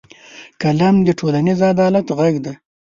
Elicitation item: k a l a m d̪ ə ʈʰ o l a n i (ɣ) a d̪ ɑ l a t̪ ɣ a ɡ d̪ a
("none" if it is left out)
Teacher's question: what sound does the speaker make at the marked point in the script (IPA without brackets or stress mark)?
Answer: z